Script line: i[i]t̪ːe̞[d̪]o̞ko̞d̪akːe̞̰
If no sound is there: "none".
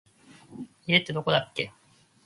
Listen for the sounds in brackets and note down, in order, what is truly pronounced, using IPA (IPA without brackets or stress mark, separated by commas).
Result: e, d̪